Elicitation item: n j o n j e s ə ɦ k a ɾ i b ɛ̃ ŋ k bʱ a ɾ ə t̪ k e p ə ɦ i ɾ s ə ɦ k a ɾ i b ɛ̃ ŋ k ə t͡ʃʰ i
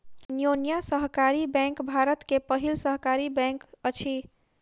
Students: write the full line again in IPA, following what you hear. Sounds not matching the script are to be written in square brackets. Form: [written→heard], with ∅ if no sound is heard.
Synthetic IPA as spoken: n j o n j [e→a] s ə ɦ k a ɾ i b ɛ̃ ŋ k bʱ a ɾ ə t̪ k e p ə ɦ i [ɾ→l] s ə ɦ k a ɾ i b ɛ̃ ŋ k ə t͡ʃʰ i